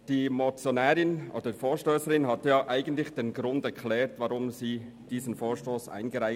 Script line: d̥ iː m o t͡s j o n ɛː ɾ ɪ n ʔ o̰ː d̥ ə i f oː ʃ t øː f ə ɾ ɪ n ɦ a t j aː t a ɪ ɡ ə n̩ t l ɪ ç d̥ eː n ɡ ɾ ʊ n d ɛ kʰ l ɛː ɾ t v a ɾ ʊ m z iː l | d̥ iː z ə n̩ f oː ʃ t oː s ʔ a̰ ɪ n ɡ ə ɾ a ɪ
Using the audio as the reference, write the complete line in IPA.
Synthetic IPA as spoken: d̥ iː m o t͡s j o n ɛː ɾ ɪ n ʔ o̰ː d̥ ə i f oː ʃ t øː s ə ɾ ɪ n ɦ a t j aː ʔ a ɪ ɡ ə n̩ t l ɪ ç d̥ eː n ɡ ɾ ʊ n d ɛ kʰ l ɛː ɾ t v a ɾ ʊ m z iː | d̥ iː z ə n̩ f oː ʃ t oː s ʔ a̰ ɪ n ɡ ə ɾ a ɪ